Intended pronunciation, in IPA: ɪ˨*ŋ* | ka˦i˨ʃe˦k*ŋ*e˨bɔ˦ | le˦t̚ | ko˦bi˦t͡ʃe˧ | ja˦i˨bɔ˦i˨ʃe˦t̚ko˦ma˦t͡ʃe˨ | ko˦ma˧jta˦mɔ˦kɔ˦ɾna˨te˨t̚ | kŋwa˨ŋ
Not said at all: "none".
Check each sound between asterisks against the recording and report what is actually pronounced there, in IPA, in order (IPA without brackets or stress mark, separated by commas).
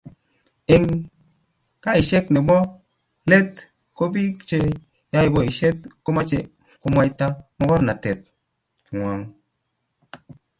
ŋ, n